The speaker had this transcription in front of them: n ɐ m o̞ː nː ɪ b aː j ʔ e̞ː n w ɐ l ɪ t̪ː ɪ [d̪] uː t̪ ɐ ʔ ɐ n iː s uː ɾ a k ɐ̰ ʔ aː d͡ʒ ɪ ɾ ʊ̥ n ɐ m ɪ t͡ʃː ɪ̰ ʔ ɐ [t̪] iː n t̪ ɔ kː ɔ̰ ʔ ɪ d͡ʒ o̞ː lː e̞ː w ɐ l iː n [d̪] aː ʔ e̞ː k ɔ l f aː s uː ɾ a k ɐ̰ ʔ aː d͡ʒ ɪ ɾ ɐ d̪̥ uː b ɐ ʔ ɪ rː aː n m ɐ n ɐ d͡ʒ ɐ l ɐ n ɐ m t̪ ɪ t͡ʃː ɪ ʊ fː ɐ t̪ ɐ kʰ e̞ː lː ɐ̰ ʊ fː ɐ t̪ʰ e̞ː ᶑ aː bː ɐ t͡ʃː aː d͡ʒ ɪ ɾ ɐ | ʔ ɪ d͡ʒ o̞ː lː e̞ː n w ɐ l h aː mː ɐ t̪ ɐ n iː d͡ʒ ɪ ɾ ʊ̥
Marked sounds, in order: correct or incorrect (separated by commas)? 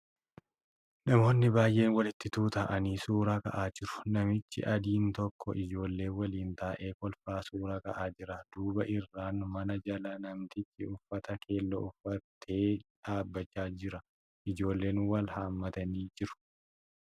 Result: incorrect, incorrect, incorrect